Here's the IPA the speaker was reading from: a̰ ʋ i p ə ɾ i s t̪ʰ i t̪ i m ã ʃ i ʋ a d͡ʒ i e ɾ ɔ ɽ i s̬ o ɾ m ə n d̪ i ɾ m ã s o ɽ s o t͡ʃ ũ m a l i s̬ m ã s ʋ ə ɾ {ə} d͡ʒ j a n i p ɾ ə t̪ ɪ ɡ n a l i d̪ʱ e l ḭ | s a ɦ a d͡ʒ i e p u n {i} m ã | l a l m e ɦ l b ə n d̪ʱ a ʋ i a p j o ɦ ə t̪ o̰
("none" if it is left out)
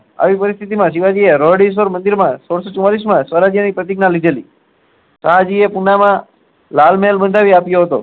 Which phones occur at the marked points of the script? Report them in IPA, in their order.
a, a

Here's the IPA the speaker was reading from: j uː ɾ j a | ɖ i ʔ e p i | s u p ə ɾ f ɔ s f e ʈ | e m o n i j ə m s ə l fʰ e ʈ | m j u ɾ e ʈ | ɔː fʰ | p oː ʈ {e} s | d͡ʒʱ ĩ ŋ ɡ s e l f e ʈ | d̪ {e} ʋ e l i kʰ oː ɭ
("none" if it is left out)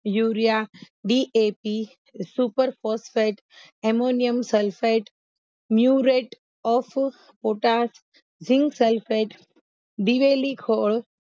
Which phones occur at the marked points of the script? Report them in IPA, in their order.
a, i

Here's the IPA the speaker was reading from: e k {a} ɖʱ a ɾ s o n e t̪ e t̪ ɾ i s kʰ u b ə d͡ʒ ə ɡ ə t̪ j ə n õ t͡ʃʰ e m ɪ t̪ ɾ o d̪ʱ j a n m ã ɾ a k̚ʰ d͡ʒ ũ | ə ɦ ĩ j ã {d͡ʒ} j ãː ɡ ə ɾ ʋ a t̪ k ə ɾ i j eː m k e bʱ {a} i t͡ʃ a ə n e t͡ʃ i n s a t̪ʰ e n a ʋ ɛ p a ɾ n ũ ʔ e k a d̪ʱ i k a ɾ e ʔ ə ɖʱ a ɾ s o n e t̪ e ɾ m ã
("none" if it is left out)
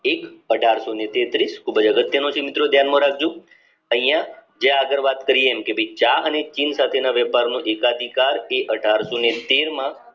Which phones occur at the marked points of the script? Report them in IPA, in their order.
ə, d͡ʒ, ə

